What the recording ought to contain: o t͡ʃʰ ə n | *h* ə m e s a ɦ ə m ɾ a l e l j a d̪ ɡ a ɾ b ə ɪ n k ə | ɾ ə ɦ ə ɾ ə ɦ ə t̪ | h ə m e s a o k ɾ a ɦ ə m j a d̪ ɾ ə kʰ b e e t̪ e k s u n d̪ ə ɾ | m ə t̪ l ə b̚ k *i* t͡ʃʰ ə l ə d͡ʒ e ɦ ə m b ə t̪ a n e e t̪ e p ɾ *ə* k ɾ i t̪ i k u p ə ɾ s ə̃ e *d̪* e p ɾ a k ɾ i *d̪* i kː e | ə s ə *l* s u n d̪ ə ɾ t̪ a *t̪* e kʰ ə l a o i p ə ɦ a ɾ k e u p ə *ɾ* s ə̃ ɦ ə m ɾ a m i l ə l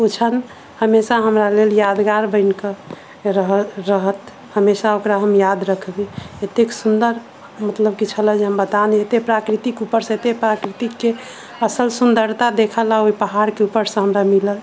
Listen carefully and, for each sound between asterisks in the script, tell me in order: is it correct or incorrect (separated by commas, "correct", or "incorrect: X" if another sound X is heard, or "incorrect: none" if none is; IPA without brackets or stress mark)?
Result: correct, correct, incorrect: a, incorrect: t̪, incorrect: t̪, correct, incorrect: d̪, correct